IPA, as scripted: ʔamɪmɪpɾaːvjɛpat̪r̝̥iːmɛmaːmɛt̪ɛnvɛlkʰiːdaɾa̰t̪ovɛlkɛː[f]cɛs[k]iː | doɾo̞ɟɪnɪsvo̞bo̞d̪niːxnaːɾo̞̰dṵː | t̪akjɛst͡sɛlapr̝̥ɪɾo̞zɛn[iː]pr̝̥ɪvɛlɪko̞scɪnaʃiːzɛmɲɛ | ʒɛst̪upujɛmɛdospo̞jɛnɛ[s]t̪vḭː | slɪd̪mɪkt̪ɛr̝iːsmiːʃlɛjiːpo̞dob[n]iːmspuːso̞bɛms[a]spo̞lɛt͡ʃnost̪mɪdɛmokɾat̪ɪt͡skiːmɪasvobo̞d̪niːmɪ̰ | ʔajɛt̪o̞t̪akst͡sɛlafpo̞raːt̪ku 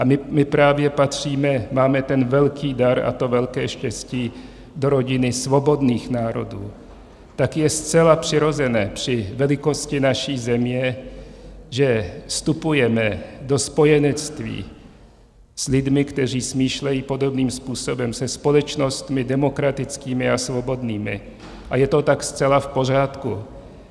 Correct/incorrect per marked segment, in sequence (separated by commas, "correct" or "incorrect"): incorrect, incorrect, incorrect, incorrect, correct, incorrect